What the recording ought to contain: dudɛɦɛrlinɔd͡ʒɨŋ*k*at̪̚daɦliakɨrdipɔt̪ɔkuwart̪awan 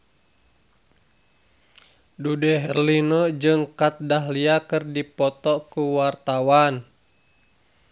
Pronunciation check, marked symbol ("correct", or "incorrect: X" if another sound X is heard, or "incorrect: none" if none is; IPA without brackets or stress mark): correct